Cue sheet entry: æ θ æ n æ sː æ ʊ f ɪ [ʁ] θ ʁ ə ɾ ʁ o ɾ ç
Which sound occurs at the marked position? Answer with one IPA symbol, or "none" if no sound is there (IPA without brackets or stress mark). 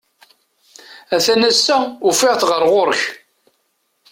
ʁ